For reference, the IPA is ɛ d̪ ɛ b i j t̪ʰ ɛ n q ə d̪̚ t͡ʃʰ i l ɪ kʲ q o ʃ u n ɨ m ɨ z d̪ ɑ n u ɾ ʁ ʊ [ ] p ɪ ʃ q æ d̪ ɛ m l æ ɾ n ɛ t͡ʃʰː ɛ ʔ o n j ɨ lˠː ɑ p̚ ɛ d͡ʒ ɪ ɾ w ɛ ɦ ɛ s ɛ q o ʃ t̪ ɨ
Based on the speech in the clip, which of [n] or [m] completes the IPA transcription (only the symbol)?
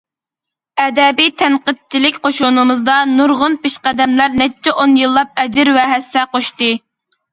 n